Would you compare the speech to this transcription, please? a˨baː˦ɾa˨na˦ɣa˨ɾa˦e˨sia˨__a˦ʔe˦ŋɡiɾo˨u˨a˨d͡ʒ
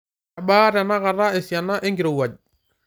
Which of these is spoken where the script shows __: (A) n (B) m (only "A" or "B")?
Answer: A